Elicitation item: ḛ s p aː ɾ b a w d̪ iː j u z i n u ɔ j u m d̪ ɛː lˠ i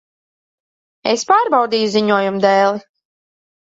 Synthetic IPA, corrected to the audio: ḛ s p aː ɾ b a w d̪ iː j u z i ɲ u ɔ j u m d̪ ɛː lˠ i